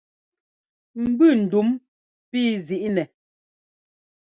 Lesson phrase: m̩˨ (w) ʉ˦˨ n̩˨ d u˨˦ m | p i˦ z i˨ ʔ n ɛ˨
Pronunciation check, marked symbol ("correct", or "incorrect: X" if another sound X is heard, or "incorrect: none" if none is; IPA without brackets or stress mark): incorrect: b